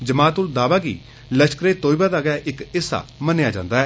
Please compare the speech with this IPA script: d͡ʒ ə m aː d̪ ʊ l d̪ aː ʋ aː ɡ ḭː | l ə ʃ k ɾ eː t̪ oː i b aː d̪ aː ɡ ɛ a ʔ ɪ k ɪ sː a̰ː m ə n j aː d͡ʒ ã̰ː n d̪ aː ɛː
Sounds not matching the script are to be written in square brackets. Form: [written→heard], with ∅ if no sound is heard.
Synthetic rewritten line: d͡ʒ ə m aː [d̪→t̪] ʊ l d̪ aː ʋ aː ɡ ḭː | l ə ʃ k ɾ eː t̪ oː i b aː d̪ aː ɡ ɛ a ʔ ɪ k ɪ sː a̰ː m ə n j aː d͡ʒ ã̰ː n d̪ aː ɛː